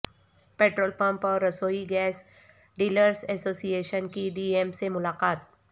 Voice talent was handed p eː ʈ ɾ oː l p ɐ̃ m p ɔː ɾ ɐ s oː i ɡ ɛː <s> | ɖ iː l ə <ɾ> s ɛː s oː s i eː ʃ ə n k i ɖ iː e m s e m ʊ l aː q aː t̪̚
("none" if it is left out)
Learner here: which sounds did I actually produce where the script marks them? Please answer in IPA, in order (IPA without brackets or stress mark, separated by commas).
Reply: s, ɾ